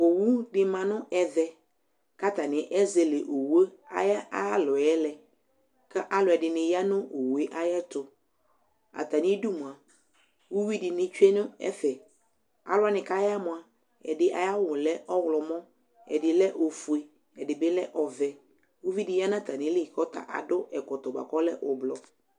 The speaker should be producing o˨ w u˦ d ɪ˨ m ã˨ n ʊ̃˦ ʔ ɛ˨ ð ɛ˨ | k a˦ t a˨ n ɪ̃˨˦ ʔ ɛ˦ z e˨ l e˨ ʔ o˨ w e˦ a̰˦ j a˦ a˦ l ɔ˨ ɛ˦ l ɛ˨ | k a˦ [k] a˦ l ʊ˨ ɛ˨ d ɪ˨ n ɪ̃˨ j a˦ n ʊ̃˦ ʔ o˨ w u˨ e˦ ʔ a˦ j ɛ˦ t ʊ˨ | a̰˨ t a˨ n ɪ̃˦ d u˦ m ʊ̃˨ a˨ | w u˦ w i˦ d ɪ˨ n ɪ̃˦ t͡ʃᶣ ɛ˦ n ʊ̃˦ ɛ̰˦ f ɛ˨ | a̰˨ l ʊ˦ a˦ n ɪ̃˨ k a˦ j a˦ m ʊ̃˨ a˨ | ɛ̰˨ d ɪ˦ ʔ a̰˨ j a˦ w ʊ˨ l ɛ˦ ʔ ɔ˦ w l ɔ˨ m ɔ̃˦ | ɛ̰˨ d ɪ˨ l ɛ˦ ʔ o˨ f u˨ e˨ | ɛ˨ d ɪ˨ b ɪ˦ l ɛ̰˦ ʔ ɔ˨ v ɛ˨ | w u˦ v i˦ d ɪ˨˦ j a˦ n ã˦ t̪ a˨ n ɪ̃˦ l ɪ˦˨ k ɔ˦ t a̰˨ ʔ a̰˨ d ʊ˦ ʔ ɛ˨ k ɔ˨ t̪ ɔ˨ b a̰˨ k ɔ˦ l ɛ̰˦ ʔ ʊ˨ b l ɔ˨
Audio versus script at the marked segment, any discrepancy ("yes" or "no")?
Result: yes